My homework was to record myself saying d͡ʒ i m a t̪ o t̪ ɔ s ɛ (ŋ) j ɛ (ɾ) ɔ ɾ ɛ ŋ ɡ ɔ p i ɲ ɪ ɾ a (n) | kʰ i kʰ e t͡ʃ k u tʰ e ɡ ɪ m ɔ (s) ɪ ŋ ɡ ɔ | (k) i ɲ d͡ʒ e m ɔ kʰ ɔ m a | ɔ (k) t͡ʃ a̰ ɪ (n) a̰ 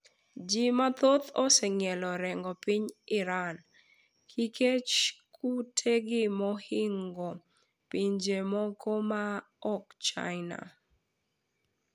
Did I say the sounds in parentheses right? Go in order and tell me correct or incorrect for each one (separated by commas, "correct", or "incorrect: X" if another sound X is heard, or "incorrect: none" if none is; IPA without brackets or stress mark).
correct, incorrect: l, correct, incorrect: h, incorrect: p, correct, correct